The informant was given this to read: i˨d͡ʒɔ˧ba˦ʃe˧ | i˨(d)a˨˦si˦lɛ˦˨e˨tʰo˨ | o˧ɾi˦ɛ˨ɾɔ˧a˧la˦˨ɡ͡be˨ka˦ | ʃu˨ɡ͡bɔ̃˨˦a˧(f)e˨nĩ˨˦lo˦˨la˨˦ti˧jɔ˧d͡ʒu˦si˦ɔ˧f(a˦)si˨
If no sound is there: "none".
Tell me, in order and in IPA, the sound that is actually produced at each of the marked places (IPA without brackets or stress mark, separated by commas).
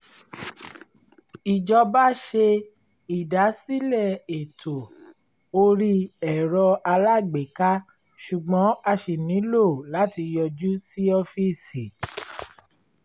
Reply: d, ʃ, i˦